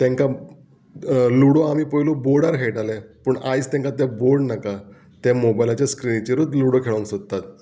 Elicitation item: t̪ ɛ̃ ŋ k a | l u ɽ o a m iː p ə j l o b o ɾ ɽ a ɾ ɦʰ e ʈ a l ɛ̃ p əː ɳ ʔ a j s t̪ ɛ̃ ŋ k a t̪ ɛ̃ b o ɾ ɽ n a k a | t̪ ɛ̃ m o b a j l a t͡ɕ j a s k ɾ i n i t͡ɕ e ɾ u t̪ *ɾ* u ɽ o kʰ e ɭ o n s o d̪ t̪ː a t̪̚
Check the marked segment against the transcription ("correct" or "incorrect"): incorrect